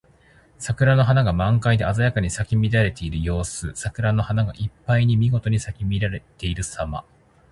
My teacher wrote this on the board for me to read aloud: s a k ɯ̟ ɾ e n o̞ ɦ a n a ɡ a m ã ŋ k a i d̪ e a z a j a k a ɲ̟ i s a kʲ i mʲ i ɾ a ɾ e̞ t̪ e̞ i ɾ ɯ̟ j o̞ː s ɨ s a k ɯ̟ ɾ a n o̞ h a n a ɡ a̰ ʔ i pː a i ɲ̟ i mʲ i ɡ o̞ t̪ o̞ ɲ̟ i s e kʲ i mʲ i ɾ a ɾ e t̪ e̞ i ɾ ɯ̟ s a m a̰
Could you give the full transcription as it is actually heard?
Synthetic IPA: s a k ɯ̟ ɾ a n o̞ ɦ a n a ɡ a m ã ŋ k a i d̪ e a z a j a k a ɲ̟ i s a kʲ i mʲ i ɾ a ɾ e̞ t̪ e̞ i ɾ ɯ̟ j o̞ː s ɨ s a k ɯ̟ ɾ a n o̞ h a n a ɡ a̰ ʔ i pː a i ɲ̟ i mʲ i ɡ o̞ t̪ o̞ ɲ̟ i s a kʲ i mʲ i ɾ a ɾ e t̪ e̞ i ɾ ɯ̟ s a m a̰